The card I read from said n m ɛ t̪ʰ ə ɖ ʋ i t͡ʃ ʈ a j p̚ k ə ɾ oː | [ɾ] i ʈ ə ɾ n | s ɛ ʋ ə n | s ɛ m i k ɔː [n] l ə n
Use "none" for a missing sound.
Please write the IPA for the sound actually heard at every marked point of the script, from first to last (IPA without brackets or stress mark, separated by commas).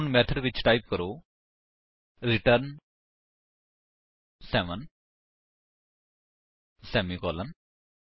ɾ, none